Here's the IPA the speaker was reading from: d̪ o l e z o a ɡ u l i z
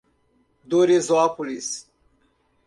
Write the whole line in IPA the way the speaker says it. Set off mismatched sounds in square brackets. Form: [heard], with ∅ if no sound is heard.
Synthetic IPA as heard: d̪ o [ɾ] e z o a [k] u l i [s]